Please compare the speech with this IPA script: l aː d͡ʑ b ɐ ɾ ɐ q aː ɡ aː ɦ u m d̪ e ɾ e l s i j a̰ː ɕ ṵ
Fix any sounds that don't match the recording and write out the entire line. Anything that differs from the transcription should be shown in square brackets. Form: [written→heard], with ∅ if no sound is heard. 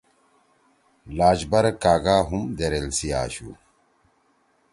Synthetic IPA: l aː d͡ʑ b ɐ ɾ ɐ [q→k] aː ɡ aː ɦ u m d̪ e ɾ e l s i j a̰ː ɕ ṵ